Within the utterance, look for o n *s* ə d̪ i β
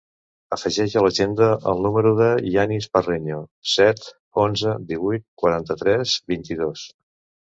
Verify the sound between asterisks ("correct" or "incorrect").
incorrect